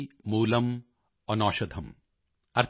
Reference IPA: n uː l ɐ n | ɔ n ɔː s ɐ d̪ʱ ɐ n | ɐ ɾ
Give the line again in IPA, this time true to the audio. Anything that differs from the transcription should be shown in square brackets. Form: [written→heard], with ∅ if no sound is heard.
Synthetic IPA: [n→m] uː l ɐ [n→m] | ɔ n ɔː [s→ʃ] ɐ d̪ʱ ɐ [n→m] | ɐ ɾ

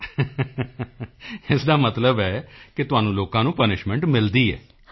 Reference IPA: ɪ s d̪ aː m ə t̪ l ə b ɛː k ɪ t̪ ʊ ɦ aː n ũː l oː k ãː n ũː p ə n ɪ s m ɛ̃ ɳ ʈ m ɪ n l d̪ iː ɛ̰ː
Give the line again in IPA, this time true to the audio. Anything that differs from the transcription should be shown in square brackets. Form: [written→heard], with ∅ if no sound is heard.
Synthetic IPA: ɪ s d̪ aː m ə t̪ l ə b ɛː k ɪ t̪ ʊ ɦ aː n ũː l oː k ãː n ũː p ə n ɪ [s→ʃ] m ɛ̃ ɳ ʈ m ɪ [n→∅] l d̪ iː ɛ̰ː

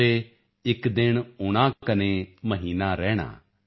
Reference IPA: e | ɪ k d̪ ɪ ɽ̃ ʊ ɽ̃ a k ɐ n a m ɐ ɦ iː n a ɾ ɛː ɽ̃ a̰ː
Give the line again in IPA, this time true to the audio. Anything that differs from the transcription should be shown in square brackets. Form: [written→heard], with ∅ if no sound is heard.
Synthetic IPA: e | ɪ k d̪ ɪ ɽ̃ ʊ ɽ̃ a k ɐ n [a→e] m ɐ ɦ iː n a ɾ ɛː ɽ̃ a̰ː

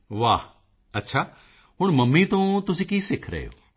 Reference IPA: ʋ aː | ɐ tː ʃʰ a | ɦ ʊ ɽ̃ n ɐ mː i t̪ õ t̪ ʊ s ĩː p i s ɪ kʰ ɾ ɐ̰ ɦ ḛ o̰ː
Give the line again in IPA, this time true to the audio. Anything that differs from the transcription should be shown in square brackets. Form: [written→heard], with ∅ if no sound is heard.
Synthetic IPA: ʋ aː | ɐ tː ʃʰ a | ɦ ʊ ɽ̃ [n→m] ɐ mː i t̪ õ t̪ ʊ s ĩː [p→k] i s ɪ kʰ ɾ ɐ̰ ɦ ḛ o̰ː

